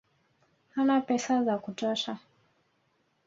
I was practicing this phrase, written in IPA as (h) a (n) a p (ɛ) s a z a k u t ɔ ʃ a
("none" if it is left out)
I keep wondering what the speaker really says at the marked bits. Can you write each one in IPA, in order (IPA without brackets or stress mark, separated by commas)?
h, n, ɛ